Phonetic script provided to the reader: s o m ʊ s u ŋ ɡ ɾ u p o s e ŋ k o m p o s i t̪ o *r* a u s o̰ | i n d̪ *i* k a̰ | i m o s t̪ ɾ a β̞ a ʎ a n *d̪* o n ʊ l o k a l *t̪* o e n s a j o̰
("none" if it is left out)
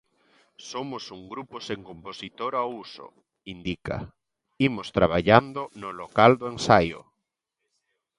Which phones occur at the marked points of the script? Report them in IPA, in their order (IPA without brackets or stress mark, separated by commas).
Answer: ɾ, i, d̪, d̪